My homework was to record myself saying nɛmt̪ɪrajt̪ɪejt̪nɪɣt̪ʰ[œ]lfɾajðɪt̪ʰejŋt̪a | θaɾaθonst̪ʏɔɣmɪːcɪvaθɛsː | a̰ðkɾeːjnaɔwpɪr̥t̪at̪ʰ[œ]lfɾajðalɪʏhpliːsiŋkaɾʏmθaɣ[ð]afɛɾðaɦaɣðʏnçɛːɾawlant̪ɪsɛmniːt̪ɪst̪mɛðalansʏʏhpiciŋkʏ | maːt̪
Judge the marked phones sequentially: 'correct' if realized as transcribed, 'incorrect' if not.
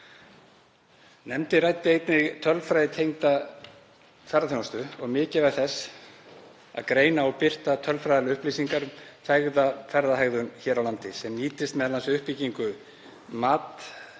correct, correct, correct

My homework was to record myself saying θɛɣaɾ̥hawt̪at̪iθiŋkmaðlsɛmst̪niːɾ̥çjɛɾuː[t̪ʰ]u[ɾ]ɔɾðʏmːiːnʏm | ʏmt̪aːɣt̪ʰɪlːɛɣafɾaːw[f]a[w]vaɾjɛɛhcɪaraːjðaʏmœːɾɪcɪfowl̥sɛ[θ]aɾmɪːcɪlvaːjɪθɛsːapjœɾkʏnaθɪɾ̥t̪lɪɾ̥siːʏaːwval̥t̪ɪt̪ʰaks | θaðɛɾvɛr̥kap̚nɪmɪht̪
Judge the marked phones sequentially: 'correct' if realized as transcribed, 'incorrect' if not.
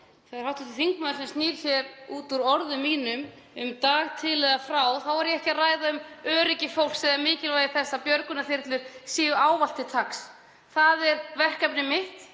incorrect: t̪, correct, incorrect: θ, correct, incorrect: ð

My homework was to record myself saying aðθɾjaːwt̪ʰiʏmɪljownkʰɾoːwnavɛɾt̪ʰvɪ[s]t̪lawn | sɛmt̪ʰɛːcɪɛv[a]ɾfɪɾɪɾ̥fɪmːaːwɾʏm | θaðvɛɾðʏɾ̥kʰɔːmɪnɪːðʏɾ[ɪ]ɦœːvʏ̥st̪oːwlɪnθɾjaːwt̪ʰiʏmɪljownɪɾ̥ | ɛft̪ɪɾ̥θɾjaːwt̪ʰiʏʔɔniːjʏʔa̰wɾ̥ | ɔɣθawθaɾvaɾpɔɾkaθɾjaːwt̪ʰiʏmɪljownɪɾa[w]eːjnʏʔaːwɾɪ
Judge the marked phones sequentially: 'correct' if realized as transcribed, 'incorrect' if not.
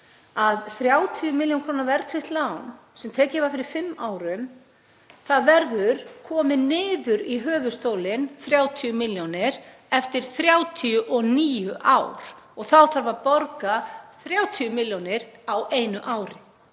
incorrect: h, correct, incorrect: i, correct

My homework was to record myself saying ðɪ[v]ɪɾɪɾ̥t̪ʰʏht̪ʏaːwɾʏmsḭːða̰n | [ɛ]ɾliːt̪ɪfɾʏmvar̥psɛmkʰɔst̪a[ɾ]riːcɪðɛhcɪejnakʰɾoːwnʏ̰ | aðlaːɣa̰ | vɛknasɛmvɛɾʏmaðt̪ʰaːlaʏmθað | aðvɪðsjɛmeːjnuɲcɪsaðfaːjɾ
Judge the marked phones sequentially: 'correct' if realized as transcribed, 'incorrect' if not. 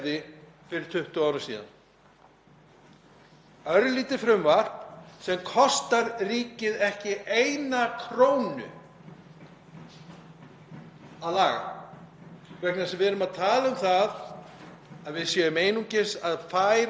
incorrect: f, incorrect: œ, correct

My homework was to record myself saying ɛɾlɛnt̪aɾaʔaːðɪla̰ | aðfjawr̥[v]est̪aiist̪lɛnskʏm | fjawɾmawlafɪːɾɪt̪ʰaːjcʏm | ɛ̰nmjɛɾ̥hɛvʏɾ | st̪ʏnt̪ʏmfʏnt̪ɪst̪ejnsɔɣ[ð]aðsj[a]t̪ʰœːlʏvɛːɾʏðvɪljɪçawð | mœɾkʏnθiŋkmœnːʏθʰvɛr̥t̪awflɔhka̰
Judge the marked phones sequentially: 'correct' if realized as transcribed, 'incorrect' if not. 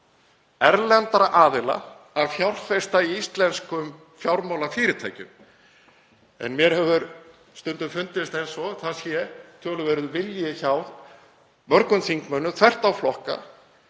incorrect: f, incorrect: θ, incorrect: ɛ

